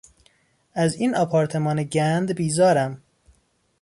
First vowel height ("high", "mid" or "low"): low